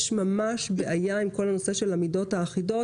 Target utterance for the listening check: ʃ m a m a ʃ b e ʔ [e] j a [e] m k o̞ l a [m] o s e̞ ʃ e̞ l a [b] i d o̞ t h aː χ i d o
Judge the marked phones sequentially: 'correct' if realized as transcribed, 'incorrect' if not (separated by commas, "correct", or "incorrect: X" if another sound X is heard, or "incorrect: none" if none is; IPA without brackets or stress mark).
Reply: incorrect: a, incorrect: i, incorrect: n, incorrect: m